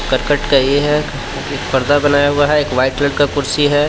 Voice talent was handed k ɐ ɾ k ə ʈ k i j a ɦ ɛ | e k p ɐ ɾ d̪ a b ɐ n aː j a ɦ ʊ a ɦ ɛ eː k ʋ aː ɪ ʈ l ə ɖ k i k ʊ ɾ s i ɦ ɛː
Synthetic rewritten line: k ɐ ɾ k ə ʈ k a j e ɦ ɛ | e k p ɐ ɾ d̪ a b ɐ n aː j a ɦ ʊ a ɦ ɛ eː k ʋ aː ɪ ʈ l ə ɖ k a k ʊ ɾ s i ɦ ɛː